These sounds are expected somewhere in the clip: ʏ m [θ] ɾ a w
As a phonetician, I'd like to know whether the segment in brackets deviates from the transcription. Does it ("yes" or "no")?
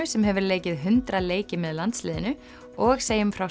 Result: yes